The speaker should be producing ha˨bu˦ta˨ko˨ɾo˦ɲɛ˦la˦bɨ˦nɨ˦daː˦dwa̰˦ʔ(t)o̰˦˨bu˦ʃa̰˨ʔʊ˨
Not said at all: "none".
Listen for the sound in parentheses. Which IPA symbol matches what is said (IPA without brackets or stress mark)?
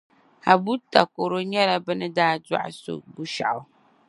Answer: s